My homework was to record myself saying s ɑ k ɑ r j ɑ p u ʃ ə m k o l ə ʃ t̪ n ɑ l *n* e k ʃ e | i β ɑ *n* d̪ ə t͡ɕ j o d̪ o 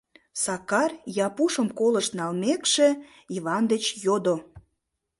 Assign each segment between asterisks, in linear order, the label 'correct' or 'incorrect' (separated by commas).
incorrect, correct